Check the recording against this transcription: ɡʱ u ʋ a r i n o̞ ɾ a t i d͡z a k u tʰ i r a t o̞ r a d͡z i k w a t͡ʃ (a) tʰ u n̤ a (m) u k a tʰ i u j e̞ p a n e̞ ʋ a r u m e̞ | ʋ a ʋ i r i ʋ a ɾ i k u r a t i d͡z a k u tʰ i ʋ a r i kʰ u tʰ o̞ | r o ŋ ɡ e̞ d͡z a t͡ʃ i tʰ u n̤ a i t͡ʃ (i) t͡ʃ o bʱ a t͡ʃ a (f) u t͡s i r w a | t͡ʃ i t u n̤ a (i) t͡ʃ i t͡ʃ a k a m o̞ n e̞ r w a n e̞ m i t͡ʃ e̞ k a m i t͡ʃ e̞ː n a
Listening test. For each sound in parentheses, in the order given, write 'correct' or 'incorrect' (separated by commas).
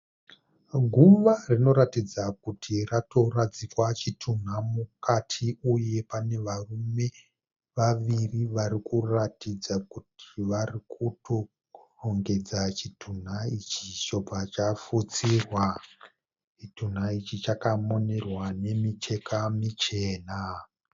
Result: incorrect, correct, correct, correct, correct